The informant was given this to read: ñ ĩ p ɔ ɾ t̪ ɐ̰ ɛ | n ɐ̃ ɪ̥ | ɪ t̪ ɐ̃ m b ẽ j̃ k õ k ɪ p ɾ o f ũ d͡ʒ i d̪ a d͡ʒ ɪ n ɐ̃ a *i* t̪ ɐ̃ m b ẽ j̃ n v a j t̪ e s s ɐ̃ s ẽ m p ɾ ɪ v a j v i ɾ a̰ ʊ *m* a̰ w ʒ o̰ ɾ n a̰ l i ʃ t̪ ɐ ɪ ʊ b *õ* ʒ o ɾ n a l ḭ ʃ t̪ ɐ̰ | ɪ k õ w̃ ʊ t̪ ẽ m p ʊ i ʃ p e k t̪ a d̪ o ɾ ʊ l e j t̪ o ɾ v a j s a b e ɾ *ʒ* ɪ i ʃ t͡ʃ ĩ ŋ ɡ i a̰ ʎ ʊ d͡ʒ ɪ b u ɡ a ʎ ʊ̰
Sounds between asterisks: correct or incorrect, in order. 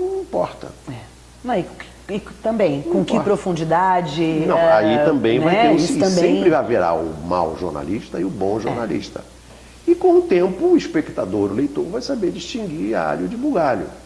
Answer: correct, correct, correct, incorrect

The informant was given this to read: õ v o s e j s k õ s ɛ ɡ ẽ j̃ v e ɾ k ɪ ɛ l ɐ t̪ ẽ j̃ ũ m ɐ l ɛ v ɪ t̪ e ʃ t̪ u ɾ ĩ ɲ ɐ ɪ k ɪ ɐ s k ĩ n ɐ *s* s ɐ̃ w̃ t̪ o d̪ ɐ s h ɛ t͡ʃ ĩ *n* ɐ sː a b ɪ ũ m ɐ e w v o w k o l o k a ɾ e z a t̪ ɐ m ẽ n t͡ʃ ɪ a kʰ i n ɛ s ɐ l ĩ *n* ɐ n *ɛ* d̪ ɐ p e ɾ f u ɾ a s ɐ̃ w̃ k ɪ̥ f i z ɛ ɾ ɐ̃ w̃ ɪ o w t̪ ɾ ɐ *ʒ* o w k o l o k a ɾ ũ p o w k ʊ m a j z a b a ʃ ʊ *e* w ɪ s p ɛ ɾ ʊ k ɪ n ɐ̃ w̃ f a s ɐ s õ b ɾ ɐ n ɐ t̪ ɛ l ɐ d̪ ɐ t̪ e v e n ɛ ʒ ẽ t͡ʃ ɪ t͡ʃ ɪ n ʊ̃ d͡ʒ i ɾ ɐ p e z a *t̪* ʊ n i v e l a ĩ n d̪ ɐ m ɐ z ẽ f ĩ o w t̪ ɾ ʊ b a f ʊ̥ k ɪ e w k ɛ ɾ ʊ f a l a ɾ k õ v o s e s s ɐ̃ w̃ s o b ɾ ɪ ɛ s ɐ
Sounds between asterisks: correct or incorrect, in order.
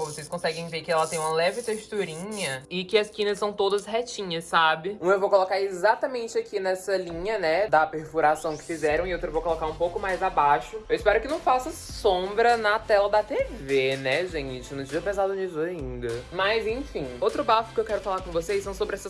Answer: correct, incorrect, incorrect, correct, incorrect, correct, incorrect

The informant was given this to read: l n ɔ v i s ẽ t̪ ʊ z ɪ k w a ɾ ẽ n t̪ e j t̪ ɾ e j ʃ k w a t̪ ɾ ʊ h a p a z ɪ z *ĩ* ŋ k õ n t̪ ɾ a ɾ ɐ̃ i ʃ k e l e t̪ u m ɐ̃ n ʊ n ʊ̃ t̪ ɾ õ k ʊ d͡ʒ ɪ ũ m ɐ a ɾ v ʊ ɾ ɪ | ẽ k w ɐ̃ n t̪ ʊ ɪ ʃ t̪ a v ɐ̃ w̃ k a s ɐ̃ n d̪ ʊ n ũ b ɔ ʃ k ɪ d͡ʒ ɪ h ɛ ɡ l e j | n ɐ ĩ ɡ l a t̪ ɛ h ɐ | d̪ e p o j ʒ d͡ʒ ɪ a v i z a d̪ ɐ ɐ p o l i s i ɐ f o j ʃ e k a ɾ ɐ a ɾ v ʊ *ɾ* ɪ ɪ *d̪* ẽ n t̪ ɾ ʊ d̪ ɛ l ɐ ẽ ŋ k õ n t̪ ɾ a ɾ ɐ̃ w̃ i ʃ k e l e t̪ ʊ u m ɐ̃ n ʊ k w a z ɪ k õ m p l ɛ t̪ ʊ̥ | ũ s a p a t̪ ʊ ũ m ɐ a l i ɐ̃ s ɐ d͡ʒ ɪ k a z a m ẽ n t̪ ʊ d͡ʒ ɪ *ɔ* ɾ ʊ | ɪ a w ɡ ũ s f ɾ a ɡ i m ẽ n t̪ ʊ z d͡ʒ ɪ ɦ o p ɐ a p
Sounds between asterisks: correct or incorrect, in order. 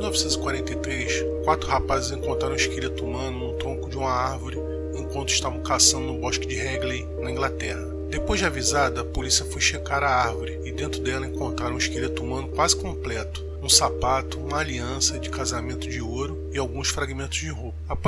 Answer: incorrect, correct, correct, incorrect

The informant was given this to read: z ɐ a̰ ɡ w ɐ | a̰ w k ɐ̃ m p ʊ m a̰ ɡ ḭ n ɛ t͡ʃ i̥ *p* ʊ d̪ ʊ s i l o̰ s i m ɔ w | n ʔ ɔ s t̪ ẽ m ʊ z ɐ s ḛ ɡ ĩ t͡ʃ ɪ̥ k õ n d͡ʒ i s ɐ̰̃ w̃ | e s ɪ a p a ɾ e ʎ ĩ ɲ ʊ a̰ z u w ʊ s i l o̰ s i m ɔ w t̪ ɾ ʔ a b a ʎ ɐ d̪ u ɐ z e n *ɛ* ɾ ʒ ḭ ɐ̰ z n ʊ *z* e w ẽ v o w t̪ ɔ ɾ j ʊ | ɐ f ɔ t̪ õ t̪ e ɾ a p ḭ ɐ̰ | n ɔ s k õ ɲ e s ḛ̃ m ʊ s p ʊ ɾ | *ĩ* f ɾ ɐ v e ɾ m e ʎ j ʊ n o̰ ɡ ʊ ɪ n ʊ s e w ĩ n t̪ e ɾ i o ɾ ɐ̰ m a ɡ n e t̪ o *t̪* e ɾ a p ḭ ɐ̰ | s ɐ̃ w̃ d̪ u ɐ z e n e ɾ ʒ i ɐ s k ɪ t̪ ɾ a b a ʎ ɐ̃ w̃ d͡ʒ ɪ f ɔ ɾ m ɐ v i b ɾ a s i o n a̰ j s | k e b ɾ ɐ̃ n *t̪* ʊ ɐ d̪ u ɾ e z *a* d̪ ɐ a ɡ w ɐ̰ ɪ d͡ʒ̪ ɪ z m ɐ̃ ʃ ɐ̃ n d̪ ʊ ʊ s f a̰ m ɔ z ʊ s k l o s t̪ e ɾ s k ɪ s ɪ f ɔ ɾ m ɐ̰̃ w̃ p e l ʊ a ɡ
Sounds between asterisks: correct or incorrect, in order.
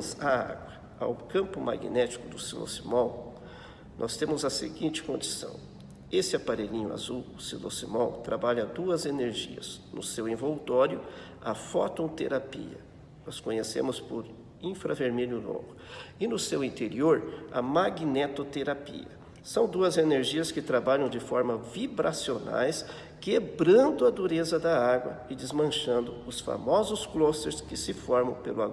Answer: incorrect, incorrect, incorrect, correct, correct, incorrect, incorrect

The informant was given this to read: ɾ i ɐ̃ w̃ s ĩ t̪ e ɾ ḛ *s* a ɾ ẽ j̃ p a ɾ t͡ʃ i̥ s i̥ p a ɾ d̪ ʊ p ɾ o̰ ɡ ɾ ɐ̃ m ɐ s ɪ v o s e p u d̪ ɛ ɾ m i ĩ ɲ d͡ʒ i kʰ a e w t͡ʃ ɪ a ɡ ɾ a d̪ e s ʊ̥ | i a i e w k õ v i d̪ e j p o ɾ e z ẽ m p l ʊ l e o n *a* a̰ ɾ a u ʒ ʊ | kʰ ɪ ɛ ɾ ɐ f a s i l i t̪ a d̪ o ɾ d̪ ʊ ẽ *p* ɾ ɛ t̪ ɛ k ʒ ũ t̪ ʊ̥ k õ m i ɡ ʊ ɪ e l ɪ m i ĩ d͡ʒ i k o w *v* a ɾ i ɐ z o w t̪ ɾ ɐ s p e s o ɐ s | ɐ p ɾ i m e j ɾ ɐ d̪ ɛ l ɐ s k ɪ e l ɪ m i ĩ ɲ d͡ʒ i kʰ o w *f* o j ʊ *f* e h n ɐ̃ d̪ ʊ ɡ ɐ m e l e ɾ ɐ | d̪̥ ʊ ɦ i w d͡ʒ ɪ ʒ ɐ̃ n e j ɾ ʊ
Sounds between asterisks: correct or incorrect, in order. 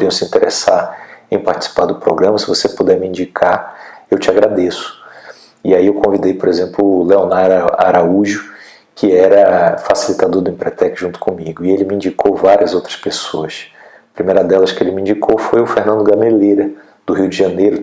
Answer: correct, correct, correct, correct, correct, correct

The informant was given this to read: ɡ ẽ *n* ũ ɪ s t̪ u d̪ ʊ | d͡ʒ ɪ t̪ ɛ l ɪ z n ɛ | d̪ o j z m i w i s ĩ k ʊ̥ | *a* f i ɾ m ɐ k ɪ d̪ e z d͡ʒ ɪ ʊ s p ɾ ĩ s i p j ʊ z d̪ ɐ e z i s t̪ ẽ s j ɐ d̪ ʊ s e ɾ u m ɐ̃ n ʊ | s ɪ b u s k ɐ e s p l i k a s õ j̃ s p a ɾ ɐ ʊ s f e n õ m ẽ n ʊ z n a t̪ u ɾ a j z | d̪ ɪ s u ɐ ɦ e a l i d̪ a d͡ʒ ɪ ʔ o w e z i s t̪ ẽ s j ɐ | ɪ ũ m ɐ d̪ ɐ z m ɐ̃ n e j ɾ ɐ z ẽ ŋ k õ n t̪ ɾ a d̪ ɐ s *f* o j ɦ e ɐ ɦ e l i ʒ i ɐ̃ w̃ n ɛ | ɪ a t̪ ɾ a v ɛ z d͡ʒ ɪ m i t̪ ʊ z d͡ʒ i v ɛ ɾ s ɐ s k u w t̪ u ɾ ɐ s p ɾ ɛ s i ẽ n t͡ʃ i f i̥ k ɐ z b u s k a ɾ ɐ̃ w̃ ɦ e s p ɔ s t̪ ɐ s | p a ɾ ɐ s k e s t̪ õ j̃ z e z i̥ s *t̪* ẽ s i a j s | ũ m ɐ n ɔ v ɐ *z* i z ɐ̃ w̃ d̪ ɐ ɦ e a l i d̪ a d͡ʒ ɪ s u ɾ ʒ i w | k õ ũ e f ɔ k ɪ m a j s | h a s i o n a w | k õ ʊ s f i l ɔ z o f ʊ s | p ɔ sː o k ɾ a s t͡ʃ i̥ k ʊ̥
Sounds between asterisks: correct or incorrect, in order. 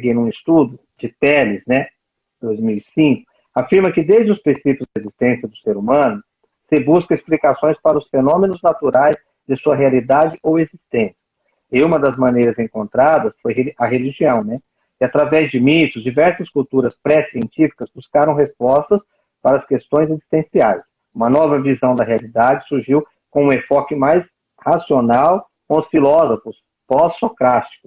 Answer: correct, correct, correct, correct, incorrect

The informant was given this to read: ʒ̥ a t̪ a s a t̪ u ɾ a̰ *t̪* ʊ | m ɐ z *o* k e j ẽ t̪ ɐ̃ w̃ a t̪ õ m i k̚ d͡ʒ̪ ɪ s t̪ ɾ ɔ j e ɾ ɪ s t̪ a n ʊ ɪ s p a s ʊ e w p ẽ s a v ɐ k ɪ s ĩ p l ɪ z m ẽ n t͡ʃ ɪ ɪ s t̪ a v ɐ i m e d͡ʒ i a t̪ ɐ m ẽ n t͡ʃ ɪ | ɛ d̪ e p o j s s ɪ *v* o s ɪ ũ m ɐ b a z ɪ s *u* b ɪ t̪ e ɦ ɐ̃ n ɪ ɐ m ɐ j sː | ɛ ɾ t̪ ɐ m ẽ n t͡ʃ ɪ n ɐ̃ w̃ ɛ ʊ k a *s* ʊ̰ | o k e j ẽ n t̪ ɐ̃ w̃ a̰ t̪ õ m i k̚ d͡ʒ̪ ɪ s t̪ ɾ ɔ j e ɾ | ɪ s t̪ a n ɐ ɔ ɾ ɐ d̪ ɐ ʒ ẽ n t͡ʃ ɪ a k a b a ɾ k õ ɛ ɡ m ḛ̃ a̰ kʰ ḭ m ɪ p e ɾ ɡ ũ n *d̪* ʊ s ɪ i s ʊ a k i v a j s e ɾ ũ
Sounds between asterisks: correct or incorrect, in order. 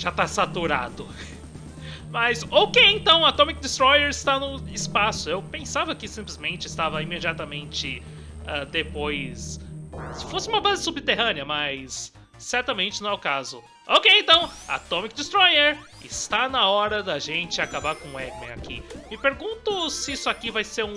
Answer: incorrect, correct, incorrect, correct, incorrect, incorrect

